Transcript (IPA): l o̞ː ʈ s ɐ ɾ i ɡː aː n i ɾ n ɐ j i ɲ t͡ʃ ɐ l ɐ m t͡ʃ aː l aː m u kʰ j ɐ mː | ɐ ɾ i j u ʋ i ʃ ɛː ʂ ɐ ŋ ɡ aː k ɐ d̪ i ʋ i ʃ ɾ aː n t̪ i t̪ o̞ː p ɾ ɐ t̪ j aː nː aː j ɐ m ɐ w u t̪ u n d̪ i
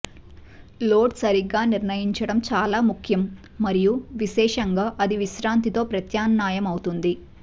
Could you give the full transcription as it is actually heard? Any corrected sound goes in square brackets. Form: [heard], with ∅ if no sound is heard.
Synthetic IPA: l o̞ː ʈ s ɐ ɾ i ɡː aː n i ɾ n ɐ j i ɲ t͡ʃ ɐ [ɽ] ɐ m t͡ʃ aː l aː m u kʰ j ɐ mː | ɐ ɾ i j u ʋ i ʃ ɛː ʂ ɐ ŋ ɡ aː [ʔ] ɐ d̪ i ʋ i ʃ ɾ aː n t̪ i t̪ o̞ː p ɾ ɐ t̪ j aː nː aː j ɐ m ɐ w u t̪ u n d̪ i